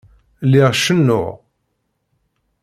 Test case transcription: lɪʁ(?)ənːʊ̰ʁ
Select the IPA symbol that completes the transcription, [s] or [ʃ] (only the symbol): ʃ